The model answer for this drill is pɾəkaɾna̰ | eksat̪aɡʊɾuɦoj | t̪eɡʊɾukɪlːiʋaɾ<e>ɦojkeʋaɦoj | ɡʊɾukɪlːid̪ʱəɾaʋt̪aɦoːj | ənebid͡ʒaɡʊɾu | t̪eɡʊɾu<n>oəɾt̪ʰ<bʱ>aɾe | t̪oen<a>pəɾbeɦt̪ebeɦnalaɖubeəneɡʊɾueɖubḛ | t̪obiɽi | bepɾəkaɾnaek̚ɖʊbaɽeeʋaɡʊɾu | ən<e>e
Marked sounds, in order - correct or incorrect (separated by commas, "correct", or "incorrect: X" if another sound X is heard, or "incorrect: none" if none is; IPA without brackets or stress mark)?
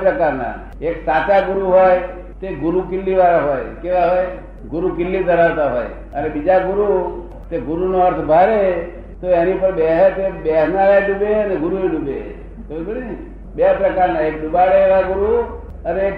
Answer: incorrect: a, correct, correct, incorrect: i, correct